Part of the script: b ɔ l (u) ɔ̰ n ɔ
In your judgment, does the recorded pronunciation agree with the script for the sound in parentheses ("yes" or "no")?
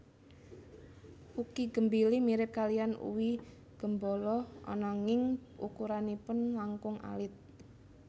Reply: no